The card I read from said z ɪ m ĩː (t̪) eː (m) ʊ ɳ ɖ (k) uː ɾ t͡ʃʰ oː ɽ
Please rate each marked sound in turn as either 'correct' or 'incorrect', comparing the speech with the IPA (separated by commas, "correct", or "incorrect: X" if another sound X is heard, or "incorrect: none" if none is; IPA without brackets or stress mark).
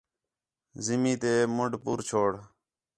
correct, correct, incorrect: p